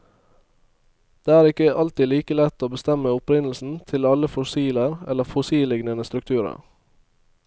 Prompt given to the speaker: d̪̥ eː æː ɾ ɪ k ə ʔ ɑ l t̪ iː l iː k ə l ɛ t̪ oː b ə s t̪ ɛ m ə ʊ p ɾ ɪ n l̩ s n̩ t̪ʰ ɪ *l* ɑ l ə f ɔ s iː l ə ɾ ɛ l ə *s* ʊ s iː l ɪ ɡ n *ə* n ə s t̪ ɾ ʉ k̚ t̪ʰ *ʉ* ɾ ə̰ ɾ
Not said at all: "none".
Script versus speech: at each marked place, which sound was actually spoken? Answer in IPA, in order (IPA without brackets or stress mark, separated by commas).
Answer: l, f, ə, ʉː